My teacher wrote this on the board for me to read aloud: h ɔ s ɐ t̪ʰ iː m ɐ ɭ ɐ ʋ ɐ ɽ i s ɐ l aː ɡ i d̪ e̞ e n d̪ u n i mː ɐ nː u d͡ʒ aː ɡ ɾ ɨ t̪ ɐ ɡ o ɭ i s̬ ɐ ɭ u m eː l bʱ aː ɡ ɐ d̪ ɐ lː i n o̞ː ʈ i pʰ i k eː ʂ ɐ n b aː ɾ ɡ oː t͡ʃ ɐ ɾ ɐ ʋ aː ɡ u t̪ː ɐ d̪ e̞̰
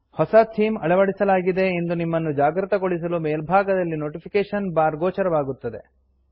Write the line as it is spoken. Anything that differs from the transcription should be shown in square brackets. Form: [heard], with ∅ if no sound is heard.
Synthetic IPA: h ɔ s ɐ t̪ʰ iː m ɐ ɭ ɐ ʋ ɐ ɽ i s ɐ l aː ɡ i d̪ e̞ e n d̪ u n i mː ɐ nː u d͡ʒ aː ɡ ɾ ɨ t̪ ɐ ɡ o ɭ i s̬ ɐ [l] u m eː l bʱ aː ɡ ɐ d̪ ɐ lː i n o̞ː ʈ i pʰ i k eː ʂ ɐ n b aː ɾ ɡ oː t͡ʃ ɐ ɾ ɐ ʋ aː ɡ u t̪ː ɐ d̪ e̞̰